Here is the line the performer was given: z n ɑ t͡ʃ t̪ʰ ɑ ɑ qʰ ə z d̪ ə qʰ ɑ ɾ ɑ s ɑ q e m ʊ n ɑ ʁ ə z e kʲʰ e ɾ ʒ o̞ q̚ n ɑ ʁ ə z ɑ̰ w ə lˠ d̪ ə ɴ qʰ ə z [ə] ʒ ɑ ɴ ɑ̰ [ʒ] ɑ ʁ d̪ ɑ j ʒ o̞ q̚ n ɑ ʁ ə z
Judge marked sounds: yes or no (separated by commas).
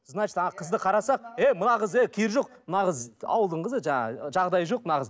yes, yes